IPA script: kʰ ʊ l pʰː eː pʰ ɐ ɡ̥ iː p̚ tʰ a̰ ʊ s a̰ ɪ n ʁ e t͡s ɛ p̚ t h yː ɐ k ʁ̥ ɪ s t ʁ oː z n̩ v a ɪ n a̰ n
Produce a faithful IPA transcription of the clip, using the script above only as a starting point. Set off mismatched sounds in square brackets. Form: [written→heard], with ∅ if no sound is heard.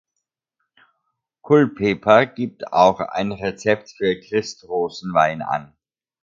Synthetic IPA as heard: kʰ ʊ l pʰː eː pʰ ɐ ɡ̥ iː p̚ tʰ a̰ ʊ [s→x] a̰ ɪ n ʁ e t͡s ɛ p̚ t [h→f] yː ɐ k ʁ̥ ɪ s t ʁ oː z n̩ v a ɪ n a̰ n